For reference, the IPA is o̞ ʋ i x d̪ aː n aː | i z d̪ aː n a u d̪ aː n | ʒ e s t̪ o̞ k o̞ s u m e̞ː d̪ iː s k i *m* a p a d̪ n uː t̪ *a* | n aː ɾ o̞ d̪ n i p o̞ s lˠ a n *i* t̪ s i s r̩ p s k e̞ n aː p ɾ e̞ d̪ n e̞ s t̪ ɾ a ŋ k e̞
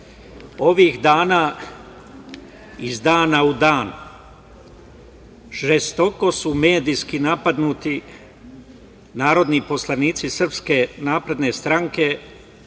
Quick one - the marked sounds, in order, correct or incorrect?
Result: incorrect: n, incorrect: i, incorrect: iː

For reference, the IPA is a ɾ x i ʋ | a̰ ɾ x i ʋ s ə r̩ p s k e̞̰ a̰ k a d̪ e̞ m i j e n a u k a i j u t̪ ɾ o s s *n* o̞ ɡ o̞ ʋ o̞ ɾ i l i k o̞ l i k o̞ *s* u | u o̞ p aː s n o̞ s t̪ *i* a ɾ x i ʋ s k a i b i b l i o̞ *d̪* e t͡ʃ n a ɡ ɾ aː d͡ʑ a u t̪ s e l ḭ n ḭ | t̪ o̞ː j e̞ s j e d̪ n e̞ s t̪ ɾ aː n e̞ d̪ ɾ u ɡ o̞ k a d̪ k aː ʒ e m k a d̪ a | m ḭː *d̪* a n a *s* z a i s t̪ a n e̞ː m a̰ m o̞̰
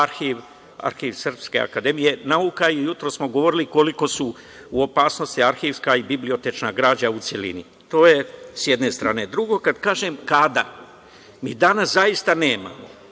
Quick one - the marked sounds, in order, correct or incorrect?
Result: incorrect: m, correct, correct, incorrect: t̪, correct, correct

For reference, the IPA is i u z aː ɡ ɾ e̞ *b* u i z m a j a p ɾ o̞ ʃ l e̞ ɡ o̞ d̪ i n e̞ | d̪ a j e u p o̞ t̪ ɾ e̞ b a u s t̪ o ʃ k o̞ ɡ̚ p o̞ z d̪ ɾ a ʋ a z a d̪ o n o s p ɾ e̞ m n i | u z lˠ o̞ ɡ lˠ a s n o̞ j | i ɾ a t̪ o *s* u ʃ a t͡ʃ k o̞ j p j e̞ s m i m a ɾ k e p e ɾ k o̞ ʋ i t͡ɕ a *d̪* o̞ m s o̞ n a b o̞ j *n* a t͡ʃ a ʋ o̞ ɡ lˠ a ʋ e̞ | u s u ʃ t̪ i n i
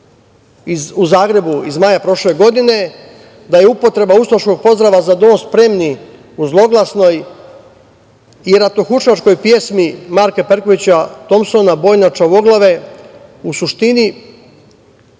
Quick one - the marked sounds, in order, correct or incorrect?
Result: correct, incorrect: x, incorrect: t̪, correct

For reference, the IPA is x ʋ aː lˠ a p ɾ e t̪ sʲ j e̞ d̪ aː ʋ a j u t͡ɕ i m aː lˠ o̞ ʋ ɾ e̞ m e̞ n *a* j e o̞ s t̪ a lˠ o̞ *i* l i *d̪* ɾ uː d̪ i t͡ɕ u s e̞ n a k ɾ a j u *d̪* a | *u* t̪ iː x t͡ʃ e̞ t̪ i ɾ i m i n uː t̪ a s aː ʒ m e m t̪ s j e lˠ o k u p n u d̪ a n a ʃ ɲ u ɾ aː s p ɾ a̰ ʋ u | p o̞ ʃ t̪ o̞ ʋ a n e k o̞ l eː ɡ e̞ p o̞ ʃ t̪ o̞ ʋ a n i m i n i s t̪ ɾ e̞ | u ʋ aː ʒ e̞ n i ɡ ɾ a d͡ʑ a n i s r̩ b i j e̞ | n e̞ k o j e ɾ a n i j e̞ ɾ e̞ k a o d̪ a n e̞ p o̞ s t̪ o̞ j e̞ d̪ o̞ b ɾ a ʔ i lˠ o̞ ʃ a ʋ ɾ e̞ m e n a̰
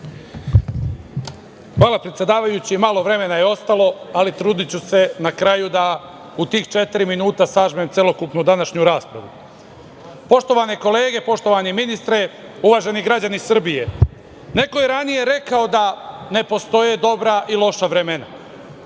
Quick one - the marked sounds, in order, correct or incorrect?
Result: correct, incorrect: a, incorrect: t̪, correct, correct

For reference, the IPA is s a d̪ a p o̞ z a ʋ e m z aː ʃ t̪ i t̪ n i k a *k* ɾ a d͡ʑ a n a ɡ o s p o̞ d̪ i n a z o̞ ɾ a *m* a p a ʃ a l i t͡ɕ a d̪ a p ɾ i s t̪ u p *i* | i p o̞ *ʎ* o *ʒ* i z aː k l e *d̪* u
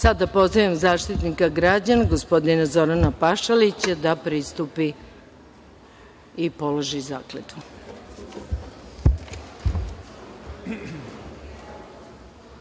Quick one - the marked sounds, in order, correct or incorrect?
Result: incorrect: ɡ, incorrect: n, correct, incorrect: l, correct, incorrect: t̪

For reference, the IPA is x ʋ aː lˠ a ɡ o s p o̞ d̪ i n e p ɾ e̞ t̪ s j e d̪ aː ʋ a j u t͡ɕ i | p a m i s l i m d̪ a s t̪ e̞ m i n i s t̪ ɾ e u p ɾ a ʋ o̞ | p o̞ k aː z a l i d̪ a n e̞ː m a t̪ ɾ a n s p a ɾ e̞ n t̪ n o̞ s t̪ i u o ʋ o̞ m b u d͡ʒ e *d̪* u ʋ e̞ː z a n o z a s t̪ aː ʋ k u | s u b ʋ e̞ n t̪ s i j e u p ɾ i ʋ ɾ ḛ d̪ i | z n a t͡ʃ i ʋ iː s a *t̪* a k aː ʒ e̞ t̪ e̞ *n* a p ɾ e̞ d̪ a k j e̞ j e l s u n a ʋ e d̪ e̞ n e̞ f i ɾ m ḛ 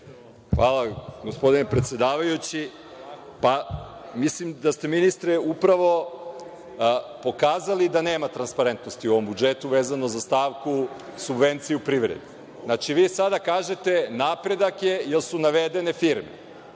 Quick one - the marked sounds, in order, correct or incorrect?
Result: incorrect: t̪, incorrect: d̪, correct

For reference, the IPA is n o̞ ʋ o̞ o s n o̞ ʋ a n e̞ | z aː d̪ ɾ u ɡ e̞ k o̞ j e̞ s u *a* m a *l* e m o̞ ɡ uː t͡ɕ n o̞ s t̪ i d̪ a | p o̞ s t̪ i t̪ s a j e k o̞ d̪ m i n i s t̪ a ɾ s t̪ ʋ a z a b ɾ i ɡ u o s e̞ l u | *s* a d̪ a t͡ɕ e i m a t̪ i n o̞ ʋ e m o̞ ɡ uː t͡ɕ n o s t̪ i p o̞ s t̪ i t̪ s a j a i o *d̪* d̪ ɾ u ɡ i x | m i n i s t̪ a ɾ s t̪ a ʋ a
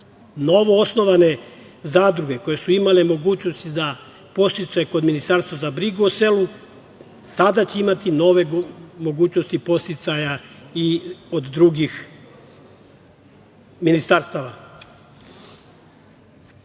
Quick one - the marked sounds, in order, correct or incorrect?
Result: incorrect: i, correct, correct, correct

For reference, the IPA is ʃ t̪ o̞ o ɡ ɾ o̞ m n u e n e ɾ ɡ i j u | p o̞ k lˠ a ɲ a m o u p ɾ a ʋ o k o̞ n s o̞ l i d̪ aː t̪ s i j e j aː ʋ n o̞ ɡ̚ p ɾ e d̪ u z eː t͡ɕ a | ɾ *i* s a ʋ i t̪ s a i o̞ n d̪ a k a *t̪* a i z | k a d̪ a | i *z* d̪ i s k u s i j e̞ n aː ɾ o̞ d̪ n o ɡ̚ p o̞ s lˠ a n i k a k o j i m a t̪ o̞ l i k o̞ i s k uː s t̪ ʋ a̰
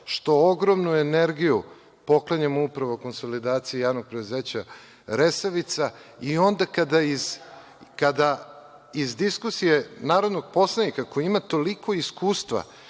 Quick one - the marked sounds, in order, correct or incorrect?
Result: incorrect: e, incorrect: d̪, correct

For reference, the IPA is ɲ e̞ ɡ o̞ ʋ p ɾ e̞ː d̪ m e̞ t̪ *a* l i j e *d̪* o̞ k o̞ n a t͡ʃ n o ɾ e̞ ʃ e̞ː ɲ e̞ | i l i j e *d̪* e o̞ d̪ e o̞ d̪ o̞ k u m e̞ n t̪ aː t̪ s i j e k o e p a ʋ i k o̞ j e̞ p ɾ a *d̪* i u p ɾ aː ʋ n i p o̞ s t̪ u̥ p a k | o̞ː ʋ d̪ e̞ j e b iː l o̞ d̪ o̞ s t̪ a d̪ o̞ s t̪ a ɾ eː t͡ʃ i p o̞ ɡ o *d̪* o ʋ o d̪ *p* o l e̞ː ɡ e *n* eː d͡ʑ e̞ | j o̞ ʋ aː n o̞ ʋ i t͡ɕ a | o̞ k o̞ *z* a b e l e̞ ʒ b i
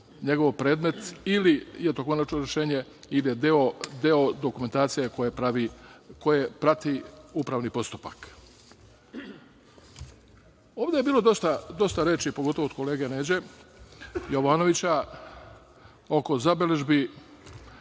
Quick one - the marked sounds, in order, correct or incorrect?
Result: incorrect: i, incorrect: t̪, correct, incorrect: t̪, incorrect: t̪, incorrect: k, correct, correct

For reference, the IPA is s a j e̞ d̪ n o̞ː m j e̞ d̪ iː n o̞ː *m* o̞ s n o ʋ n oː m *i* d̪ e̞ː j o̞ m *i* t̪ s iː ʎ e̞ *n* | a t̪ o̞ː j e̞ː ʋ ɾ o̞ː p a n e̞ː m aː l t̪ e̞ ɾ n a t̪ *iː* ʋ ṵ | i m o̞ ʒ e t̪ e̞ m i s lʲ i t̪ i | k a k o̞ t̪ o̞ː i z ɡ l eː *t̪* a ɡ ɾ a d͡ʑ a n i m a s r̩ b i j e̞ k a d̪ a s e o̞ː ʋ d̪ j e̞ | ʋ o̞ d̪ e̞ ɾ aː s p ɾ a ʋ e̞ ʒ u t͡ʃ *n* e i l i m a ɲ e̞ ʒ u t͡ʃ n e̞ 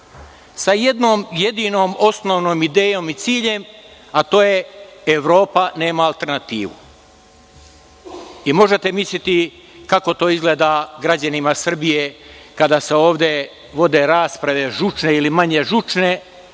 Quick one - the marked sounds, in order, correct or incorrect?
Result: correct, correct, correct, incorrect: m, correct, incorrect: d̪, correct

